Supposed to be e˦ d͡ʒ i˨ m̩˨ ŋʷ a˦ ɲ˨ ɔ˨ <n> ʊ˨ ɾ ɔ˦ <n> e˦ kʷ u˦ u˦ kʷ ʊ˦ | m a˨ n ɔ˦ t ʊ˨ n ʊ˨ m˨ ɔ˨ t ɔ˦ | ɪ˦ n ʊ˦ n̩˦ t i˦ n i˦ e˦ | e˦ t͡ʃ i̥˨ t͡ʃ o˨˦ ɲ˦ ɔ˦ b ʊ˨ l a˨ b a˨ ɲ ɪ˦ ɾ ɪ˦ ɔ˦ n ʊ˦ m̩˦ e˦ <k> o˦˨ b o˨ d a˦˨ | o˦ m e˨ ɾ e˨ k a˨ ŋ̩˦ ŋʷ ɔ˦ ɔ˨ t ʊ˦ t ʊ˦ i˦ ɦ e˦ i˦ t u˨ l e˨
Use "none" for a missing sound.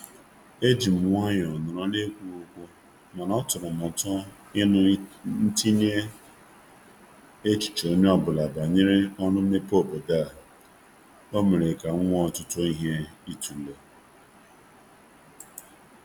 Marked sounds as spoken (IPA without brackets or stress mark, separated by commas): n, n, p